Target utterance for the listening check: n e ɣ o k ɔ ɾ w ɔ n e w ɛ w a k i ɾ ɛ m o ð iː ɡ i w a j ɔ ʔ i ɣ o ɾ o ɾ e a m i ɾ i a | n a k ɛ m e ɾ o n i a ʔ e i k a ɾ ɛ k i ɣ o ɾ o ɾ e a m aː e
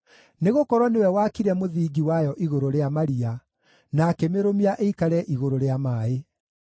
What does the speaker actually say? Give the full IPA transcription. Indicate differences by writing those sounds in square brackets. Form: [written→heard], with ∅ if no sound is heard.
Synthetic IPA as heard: n e ɣ o k ɔ ɾ w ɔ n e w ɛ w a k i ɾ ɛ m o ð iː ɡ i w a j ɔ ʔ i ɣ o ɾ o ɾ e a m [i→a] ɾ i a | n a k ɛ m e ɾ o [n→m] i a ʔ e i k a ɾ ɛ [k→ʔ] i ɣ o ɾ o ɾ e a m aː e

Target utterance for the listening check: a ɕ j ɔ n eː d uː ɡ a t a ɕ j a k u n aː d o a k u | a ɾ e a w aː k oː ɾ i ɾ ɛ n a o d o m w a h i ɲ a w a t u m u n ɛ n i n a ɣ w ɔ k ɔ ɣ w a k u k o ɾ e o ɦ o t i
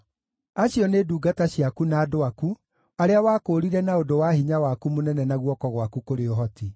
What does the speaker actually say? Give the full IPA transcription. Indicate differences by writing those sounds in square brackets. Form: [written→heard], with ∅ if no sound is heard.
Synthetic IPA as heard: a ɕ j ɔ n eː d uː ɡ a t a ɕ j a k u n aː d o a k u | a ɾ e a w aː k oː ɾ i ɾ ɛ n a o d o [m→∅] w a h i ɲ a w a [t→k] u m [u→o] n ɛ n [i→ɛ] n a ɣ w ɔ k ɔ ɣ w a k u k o ɾ e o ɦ [o→ɔ] t i

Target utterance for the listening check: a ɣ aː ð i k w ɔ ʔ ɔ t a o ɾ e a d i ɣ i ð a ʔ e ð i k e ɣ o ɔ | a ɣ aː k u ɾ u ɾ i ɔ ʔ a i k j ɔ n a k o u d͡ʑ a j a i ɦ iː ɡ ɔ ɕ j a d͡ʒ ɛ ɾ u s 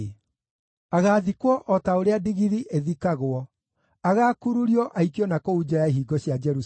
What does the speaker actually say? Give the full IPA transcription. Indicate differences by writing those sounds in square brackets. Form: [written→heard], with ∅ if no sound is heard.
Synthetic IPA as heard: a ɣ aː ð i k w ɔ ʔ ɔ t a o ɾ e a d i ɣ i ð [a→i] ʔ e ð i k [e→a] ɣ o ɔ | a ɣ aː k u ɾ u ɾ i ɔ ʔ a i k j ɔ n a k o u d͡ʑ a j a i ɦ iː ɡ ɔ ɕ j a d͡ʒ ɛ ɾ u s

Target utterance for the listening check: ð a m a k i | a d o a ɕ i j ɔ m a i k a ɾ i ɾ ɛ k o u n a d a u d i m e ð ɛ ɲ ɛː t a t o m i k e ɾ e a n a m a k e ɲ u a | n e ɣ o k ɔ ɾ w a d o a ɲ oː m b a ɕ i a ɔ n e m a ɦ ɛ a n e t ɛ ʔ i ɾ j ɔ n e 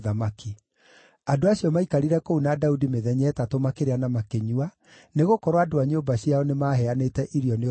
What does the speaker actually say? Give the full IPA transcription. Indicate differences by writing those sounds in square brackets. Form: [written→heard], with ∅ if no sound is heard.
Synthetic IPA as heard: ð a m a k i | a d o a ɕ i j ɔ m a i k a ɾ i ɾ ɛ k o u n a d a u d i m e ð ɛ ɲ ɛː t a t o m [i→a] k e ɾ e a n a m a k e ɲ u a | n e ɣ o k ɔ ɾ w a d o a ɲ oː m b a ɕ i a ɔ n e m a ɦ ɛ a n e t ɛ ʔ i ɾ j ɔ n e

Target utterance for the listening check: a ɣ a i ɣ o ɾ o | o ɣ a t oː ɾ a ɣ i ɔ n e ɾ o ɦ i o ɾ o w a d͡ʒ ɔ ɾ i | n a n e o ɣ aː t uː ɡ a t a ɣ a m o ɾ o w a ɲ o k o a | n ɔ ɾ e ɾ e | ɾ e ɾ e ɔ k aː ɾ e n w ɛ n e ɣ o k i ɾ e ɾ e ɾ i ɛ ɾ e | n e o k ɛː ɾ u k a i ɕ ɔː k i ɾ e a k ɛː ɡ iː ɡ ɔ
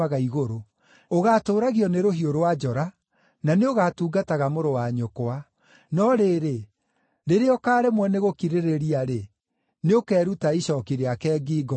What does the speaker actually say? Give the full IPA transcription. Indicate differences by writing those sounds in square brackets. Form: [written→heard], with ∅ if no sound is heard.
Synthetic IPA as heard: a ɣ a i ɣ o ɾ o | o ɣ a t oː ɾ a ɣ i ɔ n e ɾ o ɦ i o ɾ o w a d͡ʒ ɔ ɾ [i→a] | n a n e o ɣ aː t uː ɡ a t a ɣ a m o ɾ o w a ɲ o k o a | n ɔ ɾ e ɾ e | ɾ e ɾ e ɔ k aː ɾ e [n→m] w ɛ n e ɣ o k i ɾ e ɾ e ɾ i [ɛ→a] ɾ e | n e o k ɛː ɾ u [k→t] a i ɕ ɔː k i ɾ e a k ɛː ɡ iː ɡ ɔ

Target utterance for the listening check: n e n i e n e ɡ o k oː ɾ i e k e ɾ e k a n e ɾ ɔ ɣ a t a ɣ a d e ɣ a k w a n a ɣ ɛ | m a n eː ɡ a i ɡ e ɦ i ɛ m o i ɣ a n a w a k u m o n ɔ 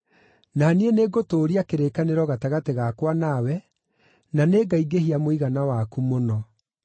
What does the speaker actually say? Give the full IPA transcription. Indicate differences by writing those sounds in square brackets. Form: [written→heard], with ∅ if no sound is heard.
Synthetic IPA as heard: n [e→a] n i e n e ɡ o [k→t] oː ɾ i [e→a] k e ɾ e k a n e ɾ ɔ ɣ a t a ɣ a [d→t] e ɣ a k w a n a [ɣ→w] ɛ | [m→n] a n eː ɡ a i ɡ e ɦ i [ɛ→a] m o i ɣ a n a w a k u m o n ɔ

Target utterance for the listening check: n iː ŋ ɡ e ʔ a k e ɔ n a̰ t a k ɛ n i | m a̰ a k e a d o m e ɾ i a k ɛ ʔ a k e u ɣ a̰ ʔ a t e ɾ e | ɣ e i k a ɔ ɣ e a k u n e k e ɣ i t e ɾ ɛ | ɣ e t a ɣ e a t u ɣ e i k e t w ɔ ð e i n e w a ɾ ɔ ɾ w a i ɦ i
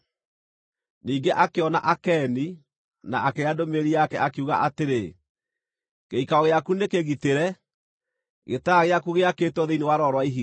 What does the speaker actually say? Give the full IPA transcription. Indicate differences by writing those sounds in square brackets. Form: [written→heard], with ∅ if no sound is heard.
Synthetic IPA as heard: n iː ŋ ɡ e ʔ a k e ɔ n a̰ [t→ʔ] a k ɛ n i | [m→n] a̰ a k e a d o m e ɾ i a k ɛ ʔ a k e u ɣ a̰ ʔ a t e ɾ e | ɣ e i k a ɔ ɣ e a k u n e k e ɣ i t e ɾ ɛ | ɣ e t a ɣ e a [t→k] u ɣ e [i→a] k e t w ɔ ð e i n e w a ɾ ɔ ɾ w a i ɦ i

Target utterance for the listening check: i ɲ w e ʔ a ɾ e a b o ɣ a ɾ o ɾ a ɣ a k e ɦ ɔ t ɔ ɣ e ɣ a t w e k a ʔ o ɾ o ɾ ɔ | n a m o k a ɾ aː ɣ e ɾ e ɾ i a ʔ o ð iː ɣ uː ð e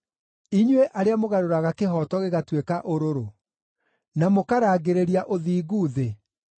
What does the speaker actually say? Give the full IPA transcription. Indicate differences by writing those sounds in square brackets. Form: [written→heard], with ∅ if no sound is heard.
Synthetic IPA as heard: i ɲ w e ʔ a ɾ e a [b→m] o ɣ a ɾ o ɾ a ɣ a k e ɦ ɔ t ɔ ɣ e ɣ a t w e k a ʔ o ɾ o ɾ [ɔ→o] | n a m o k a ɾ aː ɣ e ɾ e ɾ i a ʔ o ð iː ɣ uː ð e

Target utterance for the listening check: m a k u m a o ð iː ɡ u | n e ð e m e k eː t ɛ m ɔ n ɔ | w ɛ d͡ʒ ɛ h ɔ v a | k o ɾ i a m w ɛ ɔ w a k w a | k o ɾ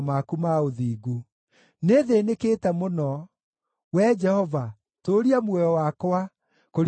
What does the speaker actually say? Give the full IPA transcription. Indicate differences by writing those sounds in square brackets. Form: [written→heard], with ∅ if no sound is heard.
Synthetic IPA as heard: m a k u m a o ð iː ɡ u | n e ð e [m→n] e k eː t ɛ m [ɔ→o] n ɔ | w ɛ d͡ʒ ɛ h ɔ v a | [k→t] o ɾ i a m w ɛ ɔ w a k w a | k o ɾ

